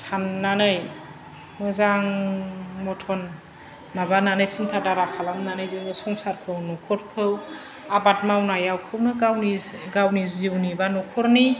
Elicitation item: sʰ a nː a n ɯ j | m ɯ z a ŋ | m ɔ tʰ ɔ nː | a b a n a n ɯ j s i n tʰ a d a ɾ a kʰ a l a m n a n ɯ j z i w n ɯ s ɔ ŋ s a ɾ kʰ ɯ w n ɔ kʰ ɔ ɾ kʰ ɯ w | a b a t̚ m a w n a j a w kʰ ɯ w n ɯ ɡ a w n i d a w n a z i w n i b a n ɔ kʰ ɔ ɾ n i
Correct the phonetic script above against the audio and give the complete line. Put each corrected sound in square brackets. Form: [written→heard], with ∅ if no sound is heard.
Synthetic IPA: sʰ a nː a n ɯ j | m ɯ z a ŋ | m ɔ tʰ ɔ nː | a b a n a n ɯ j s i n tʰ a d a ɾ a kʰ a l a m n a n ɯ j z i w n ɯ s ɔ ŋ s a ɾ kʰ ɯ w n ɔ kʰ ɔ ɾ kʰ ɯ w | a b a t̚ m a w n a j a w kʰ ɯ w n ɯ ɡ a w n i [d→ɡ] a w n [a→i] z i w n i b a n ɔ kʰ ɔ ɾ n i